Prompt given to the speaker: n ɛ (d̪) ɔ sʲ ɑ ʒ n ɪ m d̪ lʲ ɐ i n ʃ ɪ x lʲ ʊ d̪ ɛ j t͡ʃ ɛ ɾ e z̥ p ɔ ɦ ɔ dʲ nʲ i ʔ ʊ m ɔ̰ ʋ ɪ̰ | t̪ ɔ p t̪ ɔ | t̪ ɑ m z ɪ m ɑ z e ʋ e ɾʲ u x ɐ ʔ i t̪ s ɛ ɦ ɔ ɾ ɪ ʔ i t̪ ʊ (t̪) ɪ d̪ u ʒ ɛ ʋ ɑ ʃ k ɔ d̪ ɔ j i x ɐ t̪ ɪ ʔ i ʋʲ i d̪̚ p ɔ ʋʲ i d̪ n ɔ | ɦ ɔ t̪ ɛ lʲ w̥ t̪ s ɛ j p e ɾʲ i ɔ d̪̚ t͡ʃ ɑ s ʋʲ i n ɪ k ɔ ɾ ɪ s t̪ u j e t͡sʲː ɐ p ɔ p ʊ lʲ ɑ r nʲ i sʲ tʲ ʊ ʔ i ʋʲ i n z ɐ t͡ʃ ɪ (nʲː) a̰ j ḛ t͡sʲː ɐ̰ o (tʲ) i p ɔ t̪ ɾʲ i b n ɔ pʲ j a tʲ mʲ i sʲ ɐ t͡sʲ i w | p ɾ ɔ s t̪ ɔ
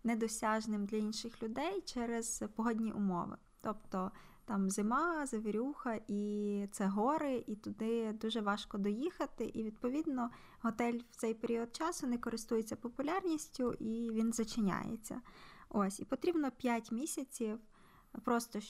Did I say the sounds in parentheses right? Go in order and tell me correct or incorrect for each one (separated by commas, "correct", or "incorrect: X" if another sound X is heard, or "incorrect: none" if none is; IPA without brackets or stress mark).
correct, incorrect: d̪, incorrect: nʲ, incorrect: sʲ